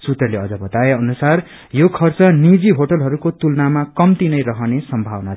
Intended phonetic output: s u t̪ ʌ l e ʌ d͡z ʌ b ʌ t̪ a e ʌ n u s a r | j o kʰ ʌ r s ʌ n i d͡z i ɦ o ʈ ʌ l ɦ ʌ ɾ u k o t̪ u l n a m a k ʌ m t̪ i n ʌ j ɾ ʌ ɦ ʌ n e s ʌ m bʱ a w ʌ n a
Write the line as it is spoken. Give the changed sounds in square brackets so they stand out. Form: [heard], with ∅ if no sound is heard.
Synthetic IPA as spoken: s u t̪ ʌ l e ʌ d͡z ʌ b ʌ t̪ a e ʌ n u s a r | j o kʰ ʌ r [t͡s] ʌ n i d͡z i ɦ o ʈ ʌ l ɦ ʌ ɾ u k o t̪ u l n a m a k ʌ m t̪ i n ʌ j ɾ ʌ ɦ ʌ n e s ʌ m bʱ a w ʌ n a